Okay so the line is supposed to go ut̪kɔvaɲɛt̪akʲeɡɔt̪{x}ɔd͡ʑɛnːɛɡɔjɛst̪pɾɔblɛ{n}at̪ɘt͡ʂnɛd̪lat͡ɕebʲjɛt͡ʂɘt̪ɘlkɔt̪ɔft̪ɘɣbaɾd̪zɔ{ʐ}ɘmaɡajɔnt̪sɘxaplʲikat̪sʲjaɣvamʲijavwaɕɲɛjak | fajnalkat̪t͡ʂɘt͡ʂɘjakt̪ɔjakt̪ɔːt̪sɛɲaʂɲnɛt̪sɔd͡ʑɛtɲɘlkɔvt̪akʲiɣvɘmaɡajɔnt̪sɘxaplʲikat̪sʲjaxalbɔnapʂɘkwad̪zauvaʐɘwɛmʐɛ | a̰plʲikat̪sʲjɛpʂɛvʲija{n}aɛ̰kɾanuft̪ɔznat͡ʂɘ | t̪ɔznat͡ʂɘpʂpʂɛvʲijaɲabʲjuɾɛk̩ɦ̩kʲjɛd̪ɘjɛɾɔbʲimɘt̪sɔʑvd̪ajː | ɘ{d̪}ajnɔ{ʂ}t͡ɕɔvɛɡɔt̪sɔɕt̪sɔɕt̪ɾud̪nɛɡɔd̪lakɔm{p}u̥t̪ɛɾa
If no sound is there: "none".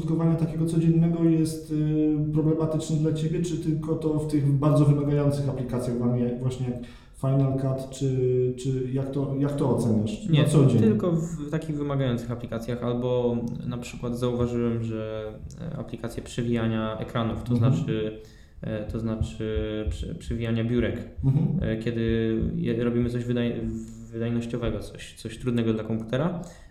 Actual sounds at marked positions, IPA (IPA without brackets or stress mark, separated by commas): s, m, v, ɲ, d̪, ɕ, p